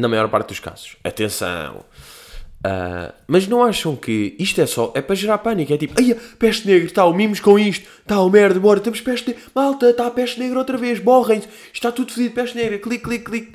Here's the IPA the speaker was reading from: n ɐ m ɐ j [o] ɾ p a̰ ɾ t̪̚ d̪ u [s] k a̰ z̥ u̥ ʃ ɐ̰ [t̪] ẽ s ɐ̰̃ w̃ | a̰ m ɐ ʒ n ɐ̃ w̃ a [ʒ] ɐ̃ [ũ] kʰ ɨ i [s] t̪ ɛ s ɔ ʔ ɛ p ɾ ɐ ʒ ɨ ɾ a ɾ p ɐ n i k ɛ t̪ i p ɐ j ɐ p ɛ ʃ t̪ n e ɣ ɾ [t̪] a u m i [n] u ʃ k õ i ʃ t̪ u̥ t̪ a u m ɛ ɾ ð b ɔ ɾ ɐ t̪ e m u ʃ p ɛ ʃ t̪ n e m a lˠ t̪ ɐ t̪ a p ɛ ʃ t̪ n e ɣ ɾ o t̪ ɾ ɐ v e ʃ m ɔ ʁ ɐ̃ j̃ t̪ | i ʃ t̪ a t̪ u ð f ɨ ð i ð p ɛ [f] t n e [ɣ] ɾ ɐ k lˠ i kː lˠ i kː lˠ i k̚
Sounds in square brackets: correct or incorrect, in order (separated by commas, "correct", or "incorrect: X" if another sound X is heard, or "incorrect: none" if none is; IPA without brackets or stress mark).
incorrect: ɔ, incorrect: ʃ, correct, incorrect: ʃ, incorrect: w̃, incorrect: ʃ, correct, incorrect: m, incorrect: ʃ, correct